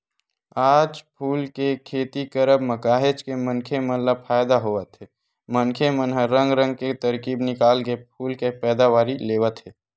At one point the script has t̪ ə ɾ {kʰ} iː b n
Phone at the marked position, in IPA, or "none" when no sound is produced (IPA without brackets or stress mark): k